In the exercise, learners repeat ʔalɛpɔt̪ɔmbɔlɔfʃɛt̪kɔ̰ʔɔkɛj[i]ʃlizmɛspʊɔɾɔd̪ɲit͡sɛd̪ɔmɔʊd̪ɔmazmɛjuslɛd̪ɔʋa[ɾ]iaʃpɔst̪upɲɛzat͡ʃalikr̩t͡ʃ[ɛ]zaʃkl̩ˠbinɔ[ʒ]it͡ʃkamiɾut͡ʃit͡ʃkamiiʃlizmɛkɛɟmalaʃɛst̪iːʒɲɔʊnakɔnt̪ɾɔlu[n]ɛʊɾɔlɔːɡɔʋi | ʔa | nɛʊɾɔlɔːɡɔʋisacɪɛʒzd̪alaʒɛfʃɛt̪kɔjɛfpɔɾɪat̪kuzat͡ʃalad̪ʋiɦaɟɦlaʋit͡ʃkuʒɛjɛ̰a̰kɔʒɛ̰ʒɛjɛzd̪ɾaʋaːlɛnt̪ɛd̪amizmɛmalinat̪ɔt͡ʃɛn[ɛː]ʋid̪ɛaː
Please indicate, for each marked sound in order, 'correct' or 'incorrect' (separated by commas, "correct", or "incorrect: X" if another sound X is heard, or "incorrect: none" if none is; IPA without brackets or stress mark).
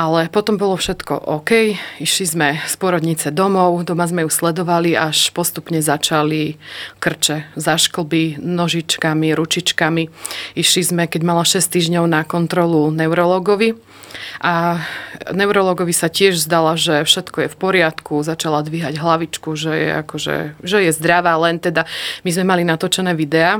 correct, incorrect: l, correct, correct, correct, correct